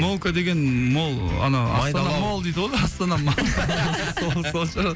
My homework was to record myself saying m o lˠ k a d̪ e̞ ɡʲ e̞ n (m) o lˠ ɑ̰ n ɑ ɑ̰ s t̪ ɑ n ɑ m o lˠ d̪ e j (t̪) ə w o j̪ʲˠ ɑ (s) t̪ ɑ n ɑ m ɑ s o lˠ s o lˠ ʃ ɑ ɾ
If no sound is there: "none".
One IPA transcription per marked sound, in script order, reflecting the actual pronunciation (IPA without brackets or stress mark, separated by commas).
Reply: m, d̪, s